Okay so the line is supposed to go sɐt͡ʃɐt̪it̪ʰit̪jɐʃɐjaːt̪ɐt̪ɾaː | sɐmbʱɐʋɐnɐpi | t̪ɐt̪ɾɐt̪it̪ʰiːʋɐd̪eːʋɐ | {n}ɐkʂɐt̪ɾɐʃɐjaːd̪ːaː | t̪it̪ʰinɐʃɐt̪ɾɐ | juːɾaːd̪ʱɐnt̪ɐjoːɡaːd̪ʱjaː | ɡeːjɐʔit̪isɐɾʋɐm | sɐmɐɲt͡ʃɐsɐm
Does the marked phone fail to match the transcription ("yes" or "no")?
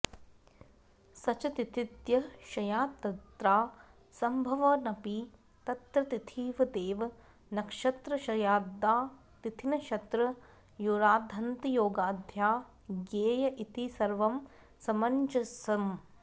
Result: no